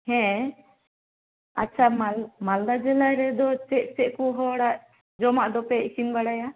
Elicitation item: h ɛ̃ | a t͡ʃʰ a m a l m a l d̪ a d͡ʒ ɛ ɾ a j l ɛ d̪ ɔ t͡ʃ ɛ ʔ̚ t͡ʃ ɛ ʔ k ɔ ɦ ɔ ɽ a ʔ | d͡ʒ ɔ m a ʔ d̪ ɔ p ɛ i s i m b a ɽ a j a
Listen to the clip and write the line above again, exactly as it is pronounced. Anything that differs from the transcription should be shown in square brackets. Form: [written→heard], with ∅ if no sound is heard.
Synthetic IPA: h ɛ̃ | a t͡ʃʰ a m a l m a l d̪ a d͡ʒ ɛ [ɾ→l] a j [l→ɾ] ɛ d̪ ɔ t͡ʃ ɛ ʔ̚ t͡ʃ ɛ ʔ k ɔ ɦ ɔ ɽ a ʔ | d͡ʒ ɔ m a ʔ d̪ ɔ p ɛ i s i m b a ɽ a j a